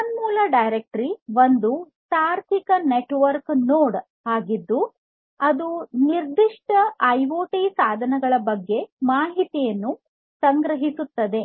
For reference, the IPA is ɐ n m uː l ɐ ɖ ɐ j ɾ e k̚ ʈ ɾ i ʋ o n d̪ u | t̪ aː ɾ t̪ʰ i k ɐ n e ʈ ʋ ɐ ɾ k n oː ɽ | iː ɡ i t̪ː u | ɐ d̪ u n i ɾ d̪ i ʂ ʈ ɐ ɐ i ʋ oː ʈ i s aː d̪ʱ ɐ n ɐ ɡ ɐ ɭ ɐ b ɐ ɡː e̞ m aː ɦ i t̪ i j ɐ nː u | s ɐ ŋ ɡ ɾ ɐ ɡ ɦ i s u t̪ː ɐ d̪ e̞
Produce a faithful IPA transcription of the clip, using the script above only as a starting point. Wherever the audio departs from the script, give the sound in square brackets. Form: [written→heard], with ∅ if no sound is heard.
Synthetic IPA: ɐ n m uː l ɐ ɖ ɐ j ɾ e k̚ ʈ ɾ i ʋ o n d̪ u | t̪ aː ɾ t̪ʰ i k ɐ n e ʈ ʋ ɐ ɾ k n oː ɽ | [iː→aː] ɡ i [t̪ː→d̪ː] u | ɐ d̪ u n i ɾ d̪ i ʂ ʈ ɐ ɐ [i→j] ʋ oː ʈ i s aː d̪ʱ ɐ n ɐ ɡ ɐ ɭ ɐ b ɐ ɡː e̞ m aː ɦ i t̪ i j ɐ nː u | s ɐ ŋ ɡ ɾ ɐ [ɡ→∅] ɦ i s u t̪ː ɐ d̪ e̞